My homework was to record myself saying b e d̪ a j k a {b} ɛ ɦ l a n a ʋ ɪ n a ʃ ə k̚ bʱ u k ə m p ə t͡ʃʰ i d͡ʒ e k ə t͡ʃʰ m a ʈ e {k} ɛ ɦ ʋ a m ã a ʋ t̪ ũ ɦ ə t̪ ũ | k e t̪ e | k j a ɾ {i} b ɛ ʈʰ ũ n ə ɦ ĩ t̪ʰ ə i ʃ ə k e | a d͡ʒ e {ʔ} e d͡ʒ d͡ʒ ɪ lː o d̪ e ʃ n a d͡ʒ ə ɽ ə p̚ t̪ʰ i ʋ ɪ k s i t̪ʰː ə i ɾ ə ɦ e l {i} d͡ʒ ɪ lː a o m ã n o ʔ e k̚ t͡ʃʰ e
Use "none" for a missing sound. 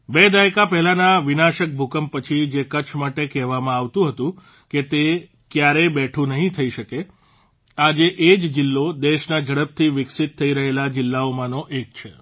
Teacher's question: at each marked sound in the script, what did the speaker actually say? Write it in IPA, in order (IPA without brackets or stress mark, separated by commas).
p, k, e, ʔ, a